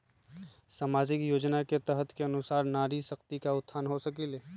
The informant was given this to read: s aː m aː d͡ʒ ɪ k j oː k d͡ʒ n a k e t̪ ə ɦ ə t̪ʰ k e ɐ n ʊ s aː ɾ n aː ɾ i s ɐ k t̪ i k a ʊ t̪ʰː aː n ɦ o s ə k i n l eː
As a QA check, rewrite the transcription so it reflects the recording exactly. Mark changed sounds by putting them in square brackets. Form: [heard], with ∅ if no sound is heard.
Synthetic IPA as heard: s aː m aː d͡ʒ ɪ k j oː [∅] d͡ʒ n a k e t̪ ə ɦ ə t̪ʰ k e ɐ n ʊ s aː ɾ n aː ɾ i s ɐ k t̪ i k a ʊ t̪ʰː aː n ɦ o s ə k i [∅] l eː